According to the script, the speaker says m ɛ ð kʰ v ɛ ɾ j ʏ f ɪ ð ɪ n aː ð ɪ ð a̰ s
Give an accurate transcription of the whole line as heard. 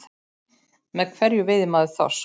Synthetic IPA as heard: m ɛ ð kʰ v ɛ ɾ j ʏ v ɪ ð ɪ m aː ð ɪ θ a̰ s

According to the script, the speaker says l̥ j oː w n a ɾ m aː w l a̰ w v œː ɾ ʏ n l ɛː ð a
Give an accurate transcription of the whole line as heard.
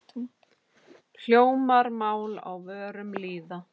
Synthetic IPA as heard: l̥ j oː w m a ɾ m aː w l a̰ w v œː ɾ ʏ m l iː ð a

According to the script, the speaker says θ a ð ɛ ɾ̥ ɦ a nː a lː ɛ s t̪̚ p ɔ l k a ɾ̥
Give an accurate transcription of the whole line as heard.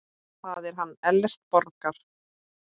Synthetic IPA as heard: θ a ð ɛ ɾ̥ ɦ a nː ɛ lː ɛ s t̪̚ p ɔ ɾ k a ɾ̥

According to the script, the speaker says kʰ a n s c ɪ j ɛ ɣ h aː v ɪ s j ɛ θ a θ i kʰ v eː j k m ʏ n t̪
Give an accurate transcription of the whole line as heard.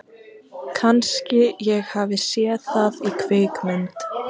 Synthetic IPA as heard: kʰ a n s c ɪ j ɛ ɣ h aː v ɪ s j ɛ θ a ð i kʰ v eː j k m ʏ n t̪

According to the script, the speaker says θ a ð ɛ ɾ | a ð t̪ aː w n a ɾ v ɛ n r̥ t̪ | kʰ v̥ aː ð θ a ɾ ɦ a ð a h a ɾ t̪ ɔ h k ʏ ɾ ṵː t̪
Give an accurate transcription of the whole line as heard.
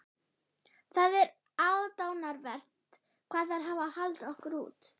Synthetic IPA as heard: θ a ð ɛ ɾ | a ð t̪ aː w n a ɾ v ɛ r̥ t̪ | kʰ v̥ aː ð θ a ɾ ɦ a v a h a l t̪ ɔ h k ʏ ɾ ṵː t̪

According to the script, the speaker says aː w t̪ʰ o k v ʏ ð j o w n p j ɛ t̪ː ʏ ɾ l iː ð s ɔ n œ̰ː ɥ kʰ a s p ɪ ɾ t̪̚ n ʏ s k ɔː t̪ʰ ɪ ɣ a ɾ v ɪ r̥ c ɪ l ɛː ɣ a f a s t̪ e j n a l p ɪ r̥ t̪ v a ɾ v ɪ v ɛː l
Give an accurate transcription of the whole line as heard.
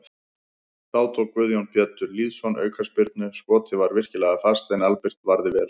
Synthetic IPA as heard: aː w t̪ʰ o k v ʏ ð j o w n p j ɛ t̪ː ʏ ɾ l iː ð s ɔ n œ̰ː ɥ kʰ a s p ɪ ɾ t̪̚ n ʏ s k ɔː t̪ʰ ɪ v a ɾ v ɪ r̥ c ɪ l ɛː ɣ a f a s t̪ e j n a l p ɪ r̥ t̪ v a ɾ ð ɪ v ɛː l

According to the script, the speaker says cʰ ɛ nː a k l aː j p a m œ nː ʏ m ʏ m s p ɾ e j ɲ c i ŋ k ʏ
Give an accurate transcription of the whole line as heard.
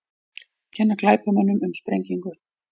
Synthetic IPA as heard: cʰ ɛ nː a k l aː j p a m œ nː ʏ m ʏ m s p ɾ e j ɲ c i ŋ k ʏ

